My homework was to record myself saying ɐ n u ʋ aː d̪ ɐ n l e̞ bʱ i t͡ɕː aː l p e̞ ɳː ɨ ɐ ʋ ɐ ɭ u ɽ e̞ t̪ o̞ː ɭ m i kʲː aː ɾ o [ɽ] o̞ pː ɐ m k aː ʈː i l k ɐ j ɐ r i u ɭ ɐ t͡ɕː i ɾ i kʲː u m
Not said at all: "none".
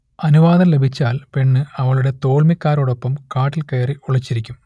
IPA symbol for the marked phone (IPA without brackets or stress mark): ɽ